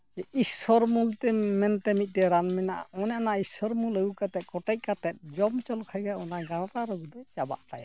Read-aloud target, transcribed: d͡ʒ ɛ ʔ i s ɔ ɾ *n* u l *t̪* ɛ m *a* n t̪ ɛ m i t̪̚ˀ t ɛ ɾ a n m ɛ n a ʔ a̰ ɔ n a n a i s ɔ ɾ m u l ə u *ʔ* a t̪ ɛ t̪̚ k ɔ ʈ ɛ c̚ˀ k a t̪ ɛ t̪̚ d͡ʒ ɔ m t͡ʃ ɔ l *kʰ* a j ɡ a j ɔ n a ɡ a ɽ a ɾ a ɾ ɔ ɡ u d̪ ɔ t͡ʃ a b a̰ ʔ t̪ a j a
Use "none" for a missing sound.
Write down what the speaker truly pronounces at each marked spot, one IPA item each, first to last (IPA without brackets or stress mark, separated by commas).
m, t̪, ɛ, k, kʰ